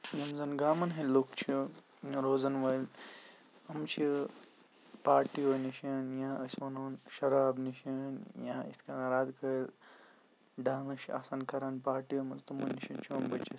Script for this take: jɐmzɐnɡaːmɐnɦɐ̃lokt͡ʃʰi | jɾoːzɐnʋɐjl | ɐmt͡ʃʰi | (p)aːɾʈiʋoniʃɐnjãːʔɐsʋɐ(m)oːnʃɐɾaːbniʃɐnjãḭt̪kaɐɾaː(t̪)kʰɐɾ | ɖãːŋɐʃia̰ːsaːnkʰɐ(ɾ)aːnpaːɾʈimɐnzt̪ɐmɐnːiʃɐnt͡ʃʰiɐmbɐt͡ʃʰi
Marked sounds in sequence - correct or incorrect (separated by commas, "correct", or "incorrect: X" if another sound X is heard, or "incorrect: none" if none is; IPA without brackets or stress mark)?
correct, incorrect: n, incorrect: d̪, correct